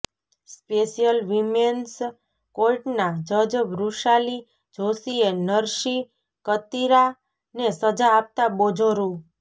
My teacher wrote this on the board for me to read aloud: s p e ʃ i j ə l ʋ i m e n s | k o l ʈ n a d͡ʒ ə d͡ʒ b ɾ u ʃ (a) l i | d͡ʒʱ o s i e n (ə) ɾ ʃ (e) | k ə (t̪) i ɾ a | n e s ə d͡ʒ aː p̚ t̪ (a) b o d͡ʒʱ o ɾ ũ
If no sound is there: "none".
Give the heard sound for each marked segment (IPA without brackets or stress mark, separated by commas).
a, ə, i, t̪, a